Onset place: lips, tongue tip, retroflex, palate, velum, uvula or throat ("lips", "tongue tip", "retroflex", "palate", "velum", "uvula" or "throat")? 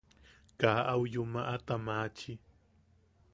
velum